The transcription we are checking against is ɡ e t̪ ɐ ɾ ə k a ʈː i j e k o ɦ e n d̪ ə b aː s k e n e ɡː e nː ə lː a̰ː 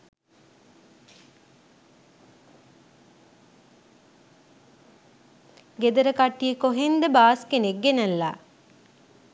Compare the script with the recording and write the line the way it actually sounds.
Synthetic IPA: ɡ e d̪ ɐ ɾ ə k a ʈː i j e k o ɦ e n d̪ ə b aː s k e n e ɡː e n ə lː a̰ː